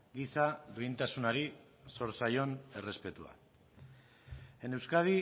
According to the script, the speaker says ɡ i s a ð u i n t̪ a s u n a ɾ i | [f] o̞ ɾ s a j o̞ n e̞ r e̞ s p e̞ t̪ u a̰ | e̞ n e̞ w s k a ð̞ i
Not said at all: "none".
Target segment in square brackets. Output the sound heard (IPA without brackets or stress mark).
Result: s